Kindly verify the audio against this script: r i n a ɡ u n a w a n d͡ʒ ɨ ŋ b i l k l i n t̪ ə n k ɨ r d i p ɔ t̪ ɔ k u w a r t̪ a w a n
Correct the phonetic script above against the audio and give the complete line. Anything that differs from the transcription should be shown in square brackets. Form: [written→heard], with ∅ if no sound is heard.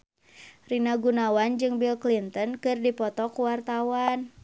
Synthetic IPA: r i n a ɡ u n a w a n d͡ʒ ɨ ŋ b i l k l i n t̪ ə n k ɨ r d i p ɔ t̪ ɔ k u w a r t̪ a w a n